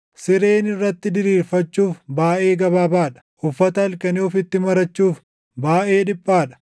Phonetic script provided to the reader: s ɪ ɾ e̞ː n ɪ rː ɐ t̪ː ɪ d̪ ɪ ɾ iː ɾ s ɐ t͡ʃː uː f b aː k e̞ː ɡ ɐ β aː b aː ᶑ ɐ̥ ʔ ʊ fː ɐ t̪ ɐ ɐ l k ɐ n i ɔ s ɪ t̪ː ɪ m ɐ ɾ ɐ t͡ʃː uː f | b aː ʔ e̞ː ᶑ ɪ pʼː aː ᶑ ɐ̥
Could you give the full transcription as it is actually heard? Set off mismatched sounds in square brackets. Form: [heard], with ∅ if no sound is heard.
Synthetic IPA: s ɪ ɾ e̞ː n ɪ rː ɐ t̪ː ɪ d̪ ɪ ɾ iː ɾ [f] ɐ t͡ʃː uː f b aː [ʔ] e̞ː ɡ ɐ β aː b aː ᶑ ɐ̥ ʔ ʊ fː ɐ t̪ ɐ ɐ l k ɐ n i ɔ [f] ɪ t̪ː ɪ m ɐ ɾ ɐ t͡ʃː uː f | b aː ʔ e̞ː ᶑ ɪ pʼː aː ᶑ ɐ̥

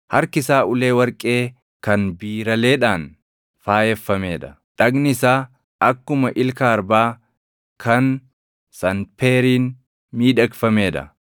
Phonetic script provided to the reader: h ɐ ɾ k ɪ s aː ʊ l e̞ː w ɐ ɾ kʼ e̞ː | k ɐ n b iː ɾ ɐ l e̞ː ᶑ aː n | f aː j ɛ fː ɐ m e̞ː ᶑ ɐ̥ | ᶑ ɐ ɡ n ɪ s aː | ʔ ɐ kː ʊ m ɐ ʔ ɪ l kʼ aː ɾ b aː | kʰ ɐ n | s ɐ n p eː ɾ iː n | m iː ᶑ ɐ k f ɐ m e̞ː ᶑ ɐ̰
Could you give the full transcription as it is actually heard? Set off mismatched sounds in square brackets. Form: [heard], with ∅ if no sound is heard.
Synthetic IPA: h ɐ ɾ k ɪ s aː ʊ l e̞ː w ɐ ɾ kʼ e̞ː | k ɐ n b iː ɾ ɐ l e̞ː ᶑ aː n | f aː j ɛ fː ɐ m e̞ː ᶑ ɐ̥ | ᶑ ɐ ɡ n ɪ s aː | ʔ ɐ kː ʊ m ɐ ʔ ɪ l [k] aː ɾ b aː | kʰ ɐ n | s ɐ n p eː ɾ iː n | m iː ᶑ ɐ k f ɐ m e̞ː ᶑ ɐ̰

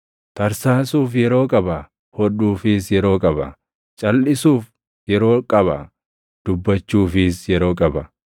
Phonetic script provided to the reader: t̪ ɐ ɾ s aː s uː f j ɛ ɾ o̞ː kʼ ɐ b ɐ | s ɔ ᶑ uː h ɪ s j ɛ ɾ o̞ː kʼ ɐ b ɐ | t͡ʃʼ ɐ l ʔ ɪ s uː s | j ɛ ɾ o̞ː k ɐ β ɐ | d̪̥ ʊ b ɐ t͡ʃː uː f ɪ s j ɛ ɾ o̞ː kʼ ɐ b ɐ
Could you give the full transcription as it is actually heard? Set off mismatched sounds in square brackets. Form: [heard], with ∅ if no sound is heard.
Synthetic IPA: t̪ ɐ ɾ s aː s uː f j ɛ ɾ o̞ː kʼ ɐ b ɐ | [h] ɔ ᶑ uː [f] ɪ s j ɛ ɾ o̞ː kʼ ɐ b ɐ | t͡ʃʼ ɐ l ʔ ɪ s uː [f] | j ɛ ɾ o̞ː [kʼ] ɐ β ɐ | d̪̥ ʊ [bː] ɐ t͡ʃː uː f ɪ s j ɛ ɾ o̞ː kʼ ɐ b ɐ

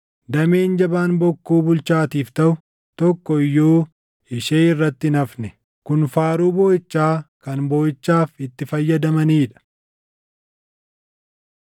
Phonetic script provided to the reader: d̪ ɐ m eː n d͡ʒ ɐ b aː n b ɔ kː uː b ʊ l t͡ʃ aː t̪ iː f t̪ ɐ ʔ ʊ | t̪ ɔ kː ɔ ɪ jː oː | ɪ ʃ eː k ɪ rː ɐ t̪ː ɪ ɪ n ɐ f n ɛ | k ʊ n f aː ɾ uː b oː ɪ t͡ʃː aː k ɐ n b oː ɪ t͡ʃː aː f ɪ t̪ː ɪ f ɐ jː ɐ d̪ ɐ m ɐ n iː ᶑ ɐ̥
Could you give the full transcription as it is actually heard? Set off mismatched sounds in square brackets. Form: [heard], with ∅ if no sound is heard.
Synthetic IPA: d̪ ɐ m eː n d͡ʒ ɐ b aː n b ɔ kː uː b ʊ l t͡ʃ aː t̪ iː f t̪ ɐ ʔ ʊ | t̪ ɔ kː ɔ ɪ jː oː | ɪ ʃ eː [∅] ɪ rː ɐ t̪ː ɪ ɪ n ɐ f n ɛ | k ʊ n f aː ɾ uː b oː ɪ t͡ʃː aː k ɐ n b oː ɪ t͡ʃː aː f ɪ t̪ː ɪ f ɐ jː ɐ d̪ ɐ m ɐ n iː ᶑ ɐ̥

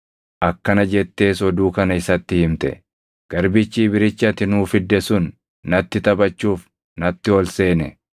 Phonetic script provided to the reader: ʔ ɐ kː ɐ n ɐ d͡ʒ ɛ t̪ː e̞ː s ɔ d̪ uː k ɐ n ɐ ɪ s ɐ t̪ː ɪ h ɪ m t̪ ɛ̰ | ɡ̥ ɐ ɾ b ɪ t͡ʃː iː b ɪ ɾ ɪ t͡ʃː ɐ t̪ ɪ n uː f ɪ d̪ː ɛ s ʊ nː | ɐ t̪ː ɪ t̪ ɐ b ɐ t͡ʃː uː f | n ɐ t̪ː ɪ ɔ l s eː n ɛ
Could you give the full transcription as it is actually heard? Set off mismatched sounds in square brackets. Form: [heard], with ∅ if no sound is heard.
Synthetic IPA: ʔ ɐ kː ɐ n ɐ d͡ʒ ɛ t̪ː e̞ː s ɔ d̪ uː k ɐ n ɐ ɪ s ɐ t̪ː ɪ h ɪ m t̪ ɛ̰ | ɡ̥ ɐ ɾ b ɪ t͡ʃː iː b ɪ ɾ ɪ t͡ʃː ɐ t̪ ɪ n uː f ɪ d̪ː ɛ s ʊ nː | ɐ t̪ː ɪ t̪ ɐ b ɐ t͡ʃː uː f | n ɐ t̪ː ɪ ɔ l s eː n ɛ

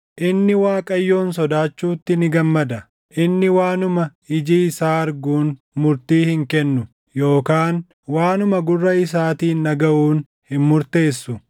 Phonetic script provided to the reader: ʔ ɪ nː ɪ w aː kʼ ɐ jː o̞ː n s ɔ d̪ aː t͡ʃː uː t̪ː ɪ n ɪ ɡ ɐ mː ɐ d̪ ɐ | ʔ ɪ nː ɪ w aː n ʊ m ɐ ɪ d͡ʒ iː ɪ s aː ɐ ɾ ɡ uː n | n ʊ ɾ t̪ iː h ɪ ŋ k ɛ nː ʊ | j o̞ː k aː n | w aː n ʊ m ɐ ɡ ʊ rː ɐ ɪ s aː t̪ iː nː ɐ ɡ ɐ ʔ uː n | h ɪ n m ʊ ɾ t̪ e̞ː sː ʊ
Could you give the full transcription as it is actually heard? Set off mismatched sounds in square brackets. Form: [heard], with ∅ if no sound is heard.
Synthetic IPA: ʔ ɪ nː ɪ w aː kʼ ɐ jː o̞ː n s ɔ d̪ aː t͡ʃː uː t̪ː ɪ n ɪ ɡ ɐ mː ɐ d̪ ɐ | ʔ ɪ nː ɪ w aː n ʊ m ɐ ɪ d͡ʒ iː ɪ s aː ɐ ɾ ɡ uː n | [m] ʊ ɾ t̪ iː h ɪ ŋ k ɛ nː ʊ | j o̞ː k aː n | w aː n ʊ m ɐ ɡ ʊ rː ɐ ɪ s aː t̪ iː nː ɐ ɡ ɐ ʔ uː n | h ɪ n m ʊ ɾ t̪ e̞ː sː ʊ

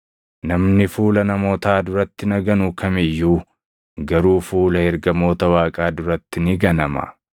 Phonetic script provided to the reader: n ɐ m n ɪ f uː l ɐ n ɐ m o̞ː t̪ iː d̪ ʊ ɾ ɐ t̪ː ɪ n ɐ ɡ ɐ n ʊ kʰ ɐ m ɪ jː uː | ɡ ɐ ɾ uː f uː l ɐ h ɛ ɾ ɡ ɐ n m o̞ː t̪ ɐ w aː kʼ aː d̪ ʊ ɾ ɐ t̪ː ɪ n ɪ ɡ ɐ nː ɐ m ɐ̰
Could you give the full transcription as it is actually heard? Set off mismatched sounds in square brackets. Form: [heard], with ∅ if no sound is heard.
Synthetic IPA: n ɐ m n ɪ f uː l ɐ n ɐ m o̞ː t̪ [aː] d̪ ʊ ɾ ɐ t̪ː ɪ n ɐ ɡ ɐ n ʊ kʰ ɐ m ɪ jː uː | ɡ ɐ ɾ uː f uː l ɐ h ɛ ɾ ɡ ɐ [∅] m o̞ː t̪ ɐ w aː kʼ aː d̪ ʊ ɾ ɐ t̪ː ɪ n ɪ ɡ ɐ [n] ɐ m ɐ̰

